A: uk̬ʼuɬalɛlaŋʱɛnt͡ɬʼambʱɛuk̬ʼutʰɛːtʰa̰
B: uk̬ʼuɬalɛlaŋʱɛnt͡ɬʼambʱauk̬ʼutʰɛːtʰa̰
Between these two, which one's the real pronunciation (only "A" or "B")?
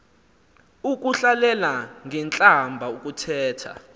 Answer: B